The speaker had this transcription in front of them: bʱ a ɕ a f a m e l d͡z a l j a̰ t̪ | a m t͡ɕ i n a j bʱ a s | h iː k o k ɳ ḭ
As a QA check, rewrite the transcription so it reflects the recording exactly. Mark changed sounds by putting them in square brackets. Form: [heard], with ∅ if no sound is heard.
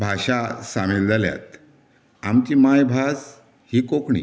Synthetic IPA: bʱ a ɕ a [s] a m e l d͡z a l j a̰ t̪ | a m t͡ɕ i [m] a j bʱ a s | h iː k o k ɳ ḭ